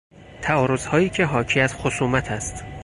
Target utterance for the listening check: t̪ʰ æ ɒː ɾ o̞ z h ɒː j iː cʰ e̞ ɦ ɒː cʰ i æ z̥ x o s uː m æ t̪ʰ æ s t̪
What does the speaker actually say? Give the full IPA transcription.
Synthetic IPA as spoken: t̪ʰ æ ɒː ɾ o̞ z h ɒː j iː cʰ e̞ ɦ ɒː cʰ i æ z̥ x o s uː m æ t̪ʰ æ s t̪